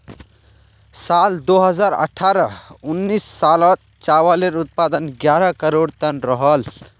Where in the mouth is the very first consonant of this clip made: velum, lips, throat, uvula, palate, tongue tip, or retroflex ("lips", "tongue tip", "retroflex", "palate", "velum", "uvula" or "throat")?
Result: tongue tip